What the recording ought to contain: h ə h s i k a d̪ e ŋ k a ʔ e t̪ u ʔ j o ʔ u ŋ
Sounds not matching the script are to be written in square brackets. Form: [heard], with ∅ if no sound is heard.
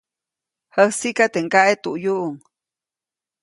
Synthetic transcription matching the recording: h ə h s i k a [t̪] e ŋ k a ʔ e t̪ u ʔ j [u] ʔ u ŋ